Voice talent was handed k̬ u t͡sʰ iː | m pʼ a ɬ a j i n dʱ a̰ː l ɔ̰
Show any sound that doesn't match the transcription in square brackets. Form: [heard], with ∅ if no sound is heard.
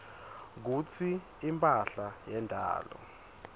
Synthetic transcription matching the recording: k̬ u t͡sʰ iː | m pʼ a ɬ a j [ɛ] n dʱ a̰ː l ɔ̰